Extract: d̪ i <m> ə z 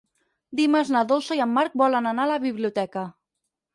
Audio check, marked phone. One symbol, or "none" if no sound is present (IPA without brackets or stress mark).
m